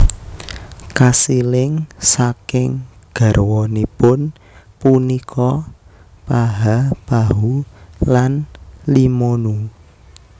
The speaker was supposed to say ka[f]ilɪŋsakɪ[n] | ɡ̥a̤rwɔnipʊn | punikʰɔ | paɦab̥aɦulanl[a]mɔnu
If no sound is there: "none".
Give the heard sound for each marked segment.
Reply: s, ŋ, i

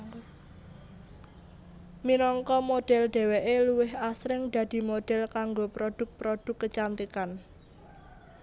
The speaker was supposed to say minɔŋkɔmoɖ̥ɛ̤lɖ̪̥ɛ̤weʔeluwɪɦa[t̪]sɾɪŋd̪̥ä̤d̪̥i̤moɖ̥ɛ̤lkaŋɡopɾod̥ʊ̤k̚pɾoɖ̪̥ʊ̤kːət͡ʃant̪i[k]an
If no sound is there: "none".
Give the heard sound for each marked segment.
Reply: none, k

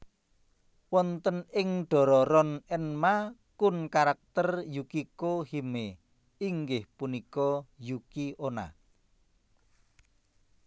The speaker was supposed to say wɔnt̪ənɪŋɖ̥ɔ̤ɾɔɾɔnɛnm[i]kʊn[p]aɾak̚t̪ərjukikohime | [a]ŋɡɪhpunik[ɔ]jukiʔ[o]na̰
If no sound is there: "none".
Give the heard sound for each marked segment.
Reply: a, k, i, ɔ, o

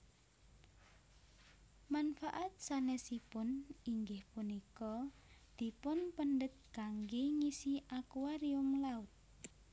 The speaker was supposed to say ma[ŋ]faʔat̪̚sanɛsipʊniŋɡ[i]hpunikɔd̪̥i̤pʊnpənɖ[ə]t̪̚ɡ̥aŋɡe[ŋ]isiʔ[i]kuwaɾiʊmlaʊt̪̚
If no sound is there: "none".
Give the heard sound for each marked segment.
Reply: n, ɪ, ə, ŋ, a

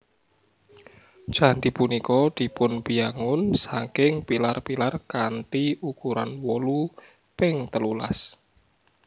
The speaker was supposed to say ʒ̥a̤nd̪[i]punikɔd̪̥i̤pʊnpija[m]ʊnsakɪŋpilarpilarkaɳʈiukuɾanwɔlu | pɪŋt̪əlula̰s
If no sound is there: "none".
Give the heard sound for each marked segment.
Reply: i, ŋ

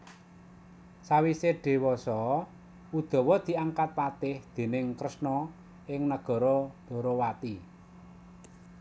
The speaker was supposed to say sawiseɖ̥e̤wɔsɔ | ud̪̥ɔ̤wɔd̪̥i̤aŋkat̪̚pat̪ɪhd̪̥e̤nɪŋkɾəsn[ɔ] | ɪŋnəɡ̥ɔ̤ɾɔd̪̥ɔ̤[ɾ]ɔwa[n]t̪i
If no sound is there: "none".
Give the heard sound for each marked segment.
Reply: ɔ, ɾ, none

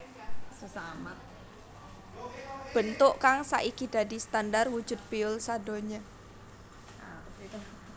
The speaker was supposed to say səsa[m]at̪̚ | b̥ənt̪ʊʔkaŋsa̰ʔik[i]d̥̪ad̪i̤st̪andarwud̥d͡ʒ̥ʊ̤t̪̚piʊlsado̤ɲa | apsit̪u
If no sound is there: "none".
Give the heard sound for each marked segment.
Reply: m, i

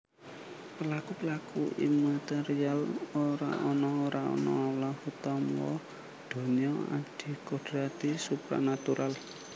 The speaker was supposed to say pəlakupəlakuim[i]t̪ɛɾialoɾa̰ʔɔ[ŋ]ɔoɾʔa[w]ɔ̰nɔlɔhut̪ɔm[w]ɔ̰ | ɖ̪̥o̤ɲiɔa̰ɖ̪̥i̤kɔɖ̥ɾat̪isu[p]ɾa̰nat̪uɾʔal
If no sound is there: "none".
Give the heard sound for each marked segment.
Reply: a, n, none, w, p

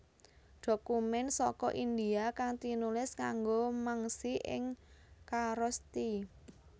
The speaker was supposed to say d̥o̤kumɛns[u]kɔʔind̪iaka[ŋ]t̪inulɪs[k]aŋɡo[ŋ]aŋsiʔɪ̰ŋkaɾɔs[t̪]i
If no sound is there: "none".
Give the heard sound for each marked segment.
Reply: ɔ, ŋ, k, m, t̪

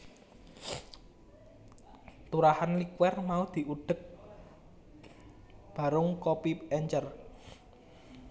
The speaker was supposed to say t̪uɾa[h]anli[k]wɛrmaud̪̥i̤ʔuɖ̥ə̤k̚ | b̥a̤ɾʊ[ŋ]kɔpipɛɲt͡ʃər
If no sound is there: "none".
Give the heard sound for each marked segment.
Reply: h, k, ŋ

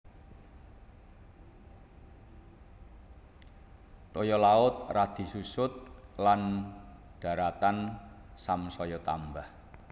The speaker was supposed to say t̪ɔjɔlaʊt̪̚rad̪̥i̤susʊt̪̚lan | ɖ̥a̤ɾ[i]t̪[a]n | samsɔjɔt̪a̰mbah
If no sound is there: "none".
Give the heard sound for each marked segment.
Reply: a, a

